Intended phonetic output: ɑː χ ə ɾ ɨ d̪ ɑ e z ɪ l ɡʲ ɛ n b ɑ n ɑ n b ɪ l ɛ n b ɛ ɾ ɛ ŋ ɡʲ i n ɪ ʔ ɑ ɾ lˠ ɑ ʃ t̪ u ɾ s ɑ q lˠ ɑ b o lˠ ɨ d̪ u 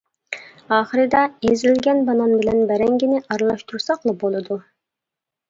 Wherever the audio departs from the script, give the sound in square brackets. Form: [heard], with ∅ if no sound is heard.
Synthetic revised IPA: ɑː χ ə ɾ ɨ d̪ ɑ e z ɪ l ɡʲ ɛ n b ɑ n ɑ n b ɪ l ɛ n b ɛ ɾ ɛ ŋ ɡʲ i n ɪ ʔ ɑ ɾ lˠ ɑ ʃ t̪ u ɾ s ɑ q lˠ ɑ b o lˠ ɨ d̪ u